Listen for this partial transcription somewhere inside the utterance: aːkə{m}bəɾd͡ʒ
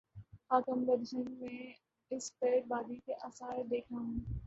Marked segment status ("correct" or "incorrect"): correct